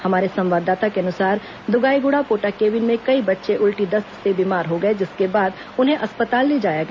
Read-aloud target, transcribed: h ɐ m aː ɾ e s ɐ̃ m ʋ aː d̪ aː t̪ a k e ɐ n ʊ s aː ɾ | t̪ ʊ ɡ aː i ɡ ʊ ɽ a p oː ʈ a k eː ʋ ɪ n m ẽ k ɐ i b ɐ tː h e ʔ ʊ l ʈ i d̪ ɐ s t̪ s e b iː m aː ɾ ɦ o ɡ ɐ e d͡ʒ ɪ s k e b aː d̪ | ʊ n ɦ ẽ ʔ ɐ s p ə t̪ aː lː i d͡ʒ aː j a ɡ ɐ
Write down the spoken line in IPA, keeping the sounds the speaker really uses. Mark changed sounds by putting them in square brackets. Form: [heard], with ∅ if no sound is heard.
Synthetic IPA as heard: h ɐ m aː ɾ e s ɐ̃ m ʋ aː d̪ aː t̪ a k e ɐ n ʊ s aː ɾ | [d̪] ʊ ɡ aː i ɡ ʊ ɽ a p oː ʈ a k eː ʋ ɪ n m ẽ k ɐ i b ɐ tː [ʃ] e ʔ ʊ l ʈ i d̪ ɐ s t̪ s e b iː m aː ɾ ɦ o ɡ ɐ e d͡ʒ ɪ s k e b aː d̪ | ʊ n ɦ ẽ ʔ ɐ s p ə t̪ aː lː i d͡ʒ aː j a ɡ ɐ